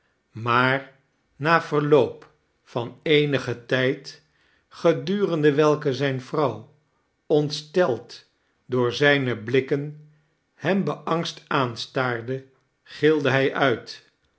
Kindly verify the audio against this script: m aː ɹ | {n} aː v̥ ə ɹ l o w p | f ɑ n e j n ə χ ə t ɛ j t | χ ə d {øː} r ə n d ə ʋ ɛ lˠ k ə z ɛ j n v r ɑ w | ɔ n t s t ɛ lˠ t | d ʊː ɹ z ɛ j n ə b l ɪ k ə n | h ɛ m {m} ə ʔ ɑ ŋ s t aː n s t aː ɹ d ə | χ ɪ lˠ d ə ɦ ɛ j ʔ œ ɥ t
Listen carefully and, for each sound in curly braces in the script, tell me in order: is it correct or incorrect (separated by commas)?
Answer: correct, incorrect, incorrect